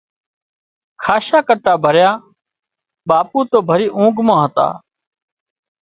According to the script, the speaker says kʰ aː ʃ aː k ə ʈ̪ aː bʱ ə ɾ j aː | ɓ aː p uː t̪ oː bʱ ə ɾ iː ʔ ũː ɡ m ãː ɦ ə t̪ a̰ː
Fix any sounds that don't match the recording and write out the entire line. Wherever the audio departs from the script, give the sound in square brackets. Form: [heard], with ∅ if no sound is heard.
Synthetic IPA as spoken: kʰ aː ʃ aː k ə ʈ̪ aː bʱ ə ɾ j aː | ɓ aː p uː t̪ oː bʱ ə ɾ iː ʔ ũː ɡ m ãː ɦ ə t̪ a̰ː